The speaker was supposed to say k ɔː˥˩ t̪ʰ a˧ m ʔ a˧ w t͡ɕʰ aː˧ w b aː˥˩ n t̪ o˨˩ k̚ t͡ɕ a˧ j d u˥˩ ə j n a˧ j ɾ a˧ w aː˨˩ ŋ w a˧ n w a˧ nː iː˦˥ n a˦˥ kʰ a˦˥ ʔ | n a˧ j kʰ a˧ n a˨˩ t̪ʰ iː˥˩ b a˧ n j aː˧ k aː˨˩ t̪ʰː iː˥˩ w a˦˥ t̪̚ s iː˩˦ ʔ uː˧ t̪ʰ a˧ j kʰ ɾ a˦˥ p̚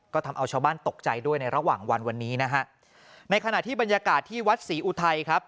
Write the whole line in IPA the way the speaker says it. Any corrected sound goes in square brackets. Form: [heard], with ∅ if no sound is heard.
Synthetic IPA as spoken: k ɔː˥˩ t̪ʰ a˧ m ʔ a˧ w t͡ɕʰ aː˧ w b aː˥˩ n t̪ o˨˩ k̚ t͡ɕ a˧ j d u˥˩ ə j n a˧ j ɾ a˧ w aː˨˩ ŋ w a˧ n w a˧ nː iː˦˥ n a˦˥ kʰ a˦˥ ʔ | n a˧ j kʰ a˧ n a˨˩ t̪ʰ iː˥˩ b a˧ n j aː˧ k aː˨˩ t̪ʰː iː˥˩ w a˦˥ t̪̚ s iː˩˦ ʔ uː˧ t̪ʰ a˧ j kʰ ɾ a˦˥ p̚